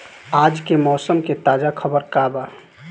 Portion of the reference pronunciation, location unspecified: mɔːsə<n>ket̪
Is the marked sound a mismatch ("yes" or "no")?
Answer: yes